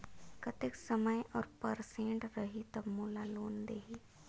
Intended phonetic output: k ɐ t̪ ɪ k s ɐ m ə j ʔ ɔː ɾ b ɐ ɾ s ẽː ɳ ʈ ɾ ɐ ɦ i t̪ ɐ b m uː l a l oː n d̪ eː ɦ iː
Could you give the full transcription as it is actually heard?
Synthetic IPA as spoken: k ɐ t̪ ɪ k s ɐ m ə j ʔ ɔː ɾ p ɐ ɾ s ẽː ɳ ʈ ɾ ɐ ɦ i t̪ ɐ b m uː l a l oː n d̪ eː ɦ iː